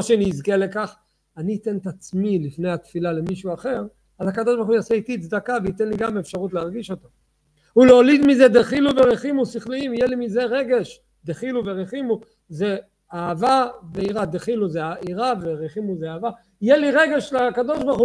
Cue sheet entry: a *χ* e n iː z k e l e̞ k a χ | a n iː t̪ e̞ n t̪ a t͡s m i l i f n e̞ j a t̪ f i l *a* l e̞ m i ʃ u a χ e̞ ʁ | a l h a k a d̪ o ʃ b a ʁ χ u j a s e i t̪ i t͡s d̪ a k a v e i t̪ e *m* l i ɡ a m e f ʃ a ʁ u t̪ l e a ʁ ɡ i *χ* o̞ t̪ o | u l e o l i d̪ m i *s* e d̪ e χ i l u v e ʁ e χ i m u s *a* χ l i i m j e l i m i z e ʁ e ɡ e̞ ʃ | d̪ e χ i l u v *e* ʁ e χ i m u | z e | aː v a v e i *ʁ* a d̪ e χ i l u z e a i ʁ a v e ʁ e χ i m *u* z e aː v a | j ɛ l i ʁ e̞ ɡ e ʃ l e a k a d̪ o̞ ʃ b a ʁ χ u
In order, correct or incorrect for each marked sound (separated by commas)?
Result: incorrect, correct, incorrect, incorrect, incorrect, incorrect, correct, correct, correct